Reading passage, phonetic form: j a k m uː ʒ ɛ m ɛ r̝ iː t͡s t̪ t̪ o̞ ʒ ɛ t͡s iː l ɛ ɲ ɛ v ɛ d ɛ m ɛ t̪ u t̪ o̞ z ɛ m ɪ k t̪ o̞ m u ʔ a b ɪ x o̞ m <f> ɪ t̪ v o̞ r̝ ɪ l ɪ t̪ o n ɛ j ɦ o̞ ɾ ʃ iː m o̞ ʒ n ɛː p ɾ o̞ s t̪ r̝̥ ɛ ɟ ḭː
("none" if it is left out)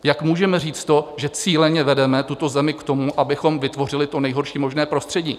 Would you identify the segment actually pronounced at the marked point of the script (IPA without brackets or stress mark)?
v